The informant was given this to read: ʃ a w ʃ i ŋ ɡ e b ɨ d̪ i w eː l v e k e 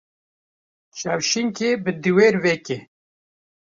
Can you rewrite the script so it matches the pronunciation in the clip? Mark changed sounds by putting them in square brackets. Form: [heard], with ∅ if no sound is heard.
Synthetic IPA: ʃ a w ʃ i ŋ [k] e b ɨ d̪ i w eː [ɾ] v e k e